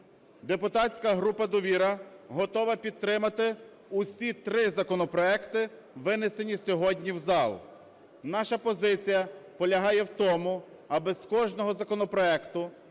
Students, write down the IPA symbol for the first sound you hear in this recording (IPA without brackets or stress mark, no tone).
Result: d̪